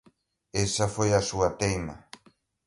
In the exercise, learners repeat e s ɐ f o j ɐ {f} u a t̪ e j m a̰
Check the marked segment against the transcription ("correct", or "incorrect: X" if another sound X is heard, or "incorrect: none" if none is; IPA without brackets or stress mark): incorrect: s